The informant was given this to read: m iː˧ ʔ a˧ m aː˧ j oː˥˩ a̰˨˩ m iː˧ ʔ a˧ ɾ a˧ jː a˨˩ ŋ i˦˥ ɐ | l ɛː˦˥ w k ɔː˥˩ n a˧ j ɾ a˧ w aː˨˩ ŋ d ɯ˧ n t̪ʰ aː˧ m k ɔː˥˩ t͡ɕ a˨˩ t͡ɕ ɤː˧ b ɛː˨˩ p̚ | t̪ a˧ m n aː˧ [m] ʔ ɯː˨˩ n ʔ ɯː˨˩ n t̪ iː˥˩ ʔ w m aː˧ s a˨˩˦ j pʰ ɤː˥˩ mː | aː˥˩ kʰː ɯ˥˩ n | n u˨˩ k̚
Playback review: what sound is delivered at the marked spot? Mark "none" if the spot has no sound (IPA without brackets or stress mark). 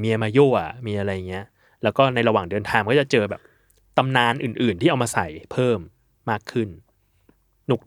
n